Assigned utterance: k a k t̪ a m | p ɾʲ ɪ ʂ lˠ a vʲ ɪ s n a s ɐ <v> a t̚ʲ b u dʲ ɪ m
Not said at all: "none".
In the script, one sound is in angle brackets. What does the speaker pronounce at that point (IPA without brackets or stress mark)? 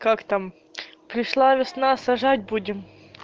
ʐ